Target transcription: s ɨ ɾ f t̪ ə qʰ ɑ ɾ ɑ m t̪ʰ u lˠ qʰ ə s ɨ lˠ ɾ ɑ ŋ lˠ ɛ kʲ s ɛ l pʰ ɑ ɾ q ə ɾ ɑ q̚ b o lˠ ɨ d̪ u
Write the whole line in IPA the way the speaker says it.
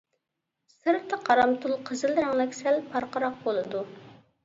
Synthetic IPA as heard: s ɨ ɾ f t̪ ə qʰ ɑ ɾ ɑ m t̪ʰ u lˠ qʰ ə z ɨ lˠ ɾ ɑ ŋ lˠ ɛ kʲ s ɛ l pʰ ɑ ɾ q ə ɾ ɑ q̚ b o lˠ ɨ d̪ u

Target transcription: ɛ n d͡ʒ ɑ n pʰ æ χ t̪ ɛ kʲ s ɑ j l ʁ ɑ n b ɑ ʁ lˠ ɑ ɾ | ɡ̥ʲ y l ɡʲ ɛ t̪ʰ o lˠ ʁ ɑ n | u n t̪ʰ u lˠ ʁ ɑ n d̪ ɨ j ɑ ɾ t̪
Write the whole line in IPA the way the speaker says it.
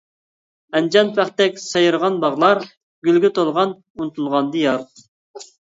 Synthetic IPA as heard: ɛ n d͡ʒ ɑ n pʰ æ χ t̪ ɛ kʲ s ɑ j ɾ ʁ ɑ n b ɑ ʁ lˠ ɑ ɾ | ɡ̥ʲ y l ɡʲ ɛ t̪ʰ o lˠ ʁ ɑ n | u n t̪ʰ u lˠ ʁ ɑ n d̪ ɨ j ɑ ɾ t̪

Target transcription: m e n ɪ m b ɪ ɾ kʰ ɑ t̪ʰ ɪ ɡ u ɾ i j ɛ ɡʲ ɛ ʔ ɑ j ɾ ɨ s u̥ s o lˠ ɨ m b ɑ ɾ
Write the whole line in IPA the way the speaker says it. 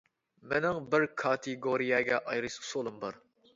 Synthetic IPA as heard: m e n ɪ ŋ b ɪ ɾ kʰ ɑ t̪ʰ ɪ ɡ o ɾ i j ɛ ɡʲ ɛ ʔ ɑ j ɾ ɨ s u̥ s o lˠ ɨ m b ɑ ɾ

